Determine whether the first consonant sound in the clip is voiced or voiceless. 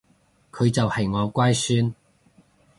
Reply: voiceless